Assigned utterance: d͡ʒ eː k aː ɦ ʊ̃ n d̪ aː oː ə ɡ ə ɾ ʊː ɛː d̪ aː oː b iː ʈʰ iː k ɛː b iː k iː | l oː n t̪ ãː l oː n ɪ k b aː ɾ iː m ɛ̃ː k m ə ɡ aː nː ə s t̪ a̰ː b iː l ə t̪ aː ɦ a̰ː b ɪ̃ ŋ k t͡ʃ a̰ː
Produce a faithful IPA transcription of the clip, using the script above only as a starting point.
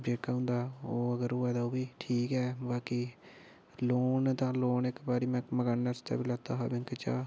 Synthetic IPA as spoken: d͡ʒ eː k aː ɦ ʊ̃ n d̪ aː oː ə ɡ ə ɾ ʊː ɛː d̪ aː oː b iː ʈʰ iː k ɛː b aː k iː | l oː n t̪ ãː l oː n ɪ k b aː ɾ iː m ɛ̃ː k m ə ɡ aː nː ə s t̪ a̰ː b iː l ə t̪ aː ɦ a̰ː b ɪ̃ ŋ k t͡ʃ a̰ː